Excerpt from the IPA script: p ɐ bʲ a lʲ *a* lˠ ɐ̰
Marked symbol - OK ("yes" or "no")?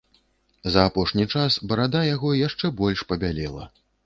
no